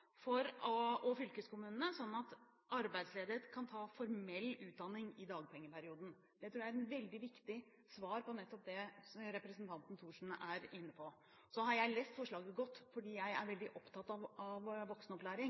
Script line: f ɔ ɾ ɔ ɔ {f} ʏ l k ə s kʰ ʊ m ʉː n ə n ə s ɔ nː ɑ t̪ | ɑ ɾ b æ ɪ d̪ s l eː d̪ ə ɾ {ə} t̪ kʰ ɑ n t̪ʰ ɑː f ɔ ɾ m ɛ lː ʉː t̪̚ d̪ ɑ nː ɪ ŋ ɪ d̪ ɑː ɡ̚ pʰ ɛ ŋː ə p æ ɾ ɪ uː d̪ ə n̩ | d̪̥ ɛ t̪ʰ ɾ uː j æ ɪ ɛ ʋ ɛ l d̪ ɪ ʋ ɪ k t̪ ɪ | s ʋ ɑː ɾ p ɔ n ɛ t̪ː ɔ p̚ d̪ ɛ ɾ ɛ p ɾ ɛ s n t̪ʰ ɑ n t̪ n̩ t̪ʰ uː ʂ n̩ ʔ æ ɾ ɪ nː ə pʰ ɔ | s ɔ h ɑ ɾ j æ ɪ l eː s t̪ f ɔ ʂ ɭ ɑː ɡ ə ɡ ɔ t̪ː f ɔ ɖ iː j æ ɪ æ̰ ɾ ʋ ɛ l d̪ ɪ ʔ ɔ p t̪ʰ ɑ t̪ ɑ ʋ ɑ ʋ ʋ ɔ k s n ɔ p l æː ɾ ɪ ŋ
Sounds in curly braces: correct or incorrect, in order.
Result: correct, correct

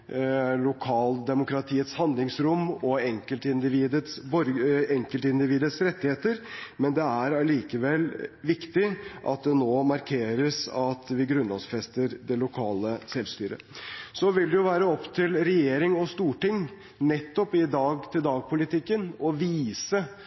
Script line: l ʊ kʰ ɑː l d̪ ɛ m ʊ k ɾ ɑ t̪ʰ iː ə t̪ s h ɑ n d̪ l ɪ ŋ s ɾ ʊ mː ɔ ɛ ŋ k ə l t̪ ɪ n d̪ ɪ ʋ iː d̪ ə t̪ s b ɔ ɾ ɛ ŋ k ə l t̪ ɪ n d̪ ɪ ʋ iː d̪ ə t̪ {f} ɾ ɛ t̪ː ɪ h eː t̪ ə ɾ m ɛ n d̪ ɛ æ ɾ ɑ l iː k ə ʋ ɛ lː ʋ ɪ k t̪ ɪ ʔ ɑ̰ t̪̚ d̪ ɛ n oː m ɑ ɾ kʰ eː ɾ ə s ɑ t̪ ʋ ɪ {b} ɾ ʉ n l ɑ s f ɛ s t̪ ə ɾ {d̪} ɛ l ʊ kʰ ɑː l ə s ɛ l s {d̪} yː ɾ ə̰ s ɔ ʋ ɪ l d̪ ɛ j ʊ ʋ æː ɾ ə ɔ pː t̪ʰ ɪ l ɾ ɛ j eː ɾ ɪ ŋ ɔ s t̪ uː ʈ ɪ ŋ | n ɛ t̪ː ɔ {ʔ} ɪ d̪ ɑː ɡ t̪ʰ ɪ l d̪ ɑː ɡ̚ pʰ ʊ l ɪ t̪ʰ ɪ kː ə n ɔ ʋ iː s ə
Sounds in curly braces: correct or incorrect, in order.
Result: incorrect, incorrect, correct, incorrect, incorrect

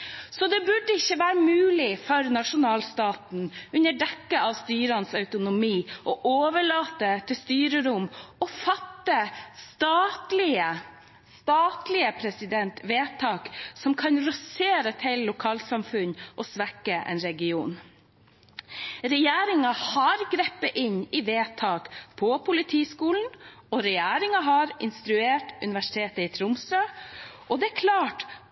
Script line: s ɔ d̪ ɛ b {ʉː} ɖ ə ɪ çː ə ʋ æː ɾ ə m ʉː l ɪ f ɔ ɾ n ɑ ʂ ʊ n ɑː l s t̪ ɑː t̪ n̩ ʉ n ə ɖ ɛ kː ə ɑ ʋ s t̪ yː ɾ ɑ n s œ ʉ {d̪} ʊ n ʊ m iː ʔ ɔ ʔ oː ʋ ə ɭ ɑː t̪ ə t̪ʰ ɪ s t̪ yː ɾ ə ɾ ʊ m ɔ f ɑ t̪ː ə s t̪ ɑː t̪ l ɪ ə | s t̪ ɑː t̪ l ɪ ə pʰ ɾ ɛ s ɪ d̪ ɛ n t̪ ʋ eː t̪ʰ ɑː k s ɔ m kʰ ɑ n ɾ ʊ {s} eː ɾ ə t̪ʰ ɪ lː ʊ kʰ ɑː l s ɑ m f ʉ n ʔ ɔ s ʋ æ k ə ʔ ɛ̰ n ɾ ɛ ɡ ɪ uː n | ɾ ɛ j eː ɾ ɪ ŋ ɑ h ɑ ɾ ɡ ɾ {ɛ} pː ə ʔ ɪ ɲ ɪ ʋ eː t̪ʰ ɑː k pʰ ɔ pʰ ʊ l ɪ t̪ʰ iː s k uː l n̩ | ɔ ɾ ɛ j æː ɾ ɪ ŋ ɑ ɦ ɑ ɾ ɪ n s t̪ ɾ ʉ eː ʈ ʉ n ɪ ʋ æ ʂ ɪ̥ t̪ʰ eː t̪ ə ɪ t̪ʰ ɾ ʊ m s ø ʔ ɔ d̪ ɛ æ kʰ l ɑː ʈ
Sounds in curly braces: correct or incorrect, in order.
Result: incorrect, incorrect, correct, correct

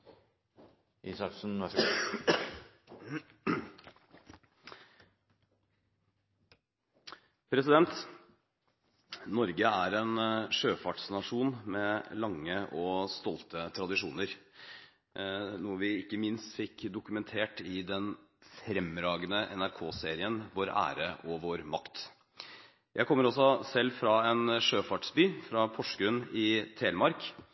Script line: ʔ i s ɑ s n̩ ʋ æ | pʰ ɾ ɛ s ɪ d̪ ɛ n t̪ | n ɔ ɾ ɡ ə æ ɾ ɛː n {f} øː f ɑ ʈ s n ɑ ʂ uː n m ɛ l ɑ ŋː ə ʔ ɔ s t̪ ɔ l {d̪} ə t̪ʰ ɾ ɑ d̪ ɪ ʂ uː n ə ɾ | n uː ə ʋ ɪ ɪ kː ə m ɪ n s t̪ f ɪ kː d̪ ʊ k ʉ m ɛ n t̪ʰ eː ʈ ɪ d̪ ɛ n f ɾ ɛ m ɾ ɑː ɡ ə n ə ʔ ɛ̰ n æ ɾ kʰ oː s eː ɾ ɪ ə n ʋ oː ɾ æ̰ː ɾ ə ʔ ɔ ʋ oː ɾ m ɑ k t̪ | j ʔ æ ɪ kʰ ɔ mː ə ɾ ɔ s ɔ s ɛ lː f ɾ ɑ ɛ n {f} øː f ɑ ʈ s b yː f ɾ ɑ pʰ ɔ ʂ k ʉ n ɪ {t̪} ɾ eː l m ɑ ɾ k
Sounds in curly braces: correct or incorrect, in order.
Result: incorrect, incorrect, incorrect, incorrect

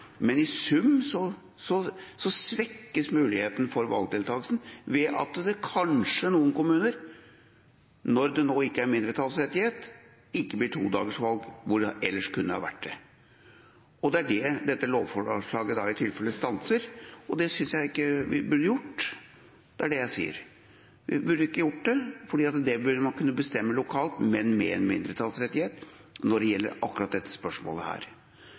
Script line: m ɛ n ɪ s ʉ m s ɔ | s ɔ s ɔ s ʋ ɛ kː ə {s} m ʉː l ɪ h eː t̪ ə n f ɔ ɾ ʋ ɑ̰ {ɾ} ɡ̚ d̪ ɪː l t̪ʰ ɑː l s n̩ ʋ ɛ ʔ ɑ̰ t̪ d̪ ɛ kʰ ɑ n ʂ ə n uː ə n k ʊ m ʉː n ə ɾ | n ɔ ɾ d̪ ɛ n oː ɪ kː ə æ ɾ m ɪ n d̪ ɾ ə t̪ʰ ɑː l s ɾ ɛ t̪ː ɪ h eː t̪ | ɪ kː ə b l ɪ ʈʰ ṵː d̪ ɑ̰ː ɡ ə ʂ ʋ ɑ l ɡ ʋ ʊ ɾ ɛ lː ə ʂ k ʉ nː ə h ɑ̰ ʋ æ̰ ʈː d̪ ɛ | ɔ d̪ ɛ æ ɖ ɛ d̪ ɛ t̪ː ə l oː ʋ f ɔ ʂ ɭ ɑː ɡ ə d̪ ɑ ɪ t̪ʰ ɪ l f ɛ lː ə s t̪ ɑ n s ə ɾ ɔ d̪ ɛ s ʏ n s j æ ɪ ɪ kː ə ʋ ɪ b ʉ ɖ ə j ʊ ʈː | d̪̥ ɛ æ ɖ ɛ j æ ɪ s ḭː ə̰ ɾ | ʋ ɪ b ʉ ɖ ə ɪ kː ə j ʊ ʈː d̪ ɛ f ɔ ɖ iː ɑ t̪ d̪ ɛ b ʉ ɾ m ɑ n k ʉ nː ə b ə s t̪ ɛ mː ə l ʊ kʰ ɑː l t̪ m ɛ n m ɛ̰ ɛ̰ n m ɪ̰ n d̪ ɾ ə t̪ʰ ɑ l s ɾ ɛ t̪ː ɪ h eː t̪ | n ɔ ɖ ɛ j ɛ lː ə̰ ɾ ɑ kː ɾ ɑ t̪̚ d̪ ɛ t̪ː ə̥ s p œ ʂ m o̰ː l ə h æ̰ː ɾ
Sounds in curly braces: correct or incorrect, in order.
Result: correct, incorrect

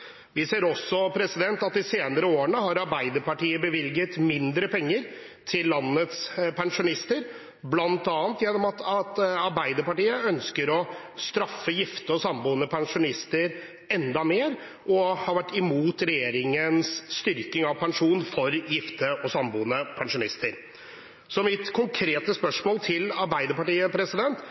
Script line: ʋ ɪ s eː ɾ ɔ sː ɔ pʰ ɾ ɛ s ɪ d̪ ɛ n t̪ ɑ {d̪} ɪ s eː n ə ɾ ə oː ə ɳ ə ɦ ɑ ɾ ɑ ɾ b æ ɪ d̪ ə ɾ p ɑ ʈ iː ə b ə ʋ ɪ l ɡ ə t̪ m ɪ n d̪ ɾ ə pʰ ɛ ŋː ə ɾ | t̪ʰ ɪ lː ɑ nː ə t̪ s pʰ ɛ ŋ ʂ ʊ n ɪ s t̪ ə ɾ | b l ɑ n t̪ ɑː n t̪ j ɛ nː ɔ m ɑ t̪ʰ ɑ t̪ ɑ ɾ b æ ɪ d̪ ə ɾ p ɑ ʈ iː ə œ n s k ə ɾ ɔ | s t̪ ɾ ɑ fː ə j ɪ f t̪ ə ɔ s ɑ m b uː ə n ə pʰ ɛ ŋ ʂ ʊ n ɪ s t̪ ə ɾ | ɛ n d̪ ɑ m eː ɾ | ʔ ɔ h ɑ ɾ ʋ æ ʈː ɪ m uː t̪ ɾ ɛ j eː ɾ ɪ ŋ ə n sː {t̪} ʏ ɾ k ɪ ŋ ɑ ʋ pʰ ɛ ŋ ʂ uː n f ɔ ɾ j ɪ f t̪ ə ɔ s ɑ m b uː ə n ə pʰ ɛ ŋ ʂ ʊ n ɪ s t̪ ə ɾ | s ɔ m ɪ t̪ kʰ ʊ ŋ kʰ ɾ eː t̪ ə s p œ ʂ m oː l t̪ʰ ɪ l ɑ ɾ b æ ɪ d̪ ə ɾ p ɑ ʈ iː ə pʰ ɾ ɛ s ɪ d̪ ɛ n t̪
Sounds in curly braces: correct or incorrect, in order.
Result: incorrect, correct

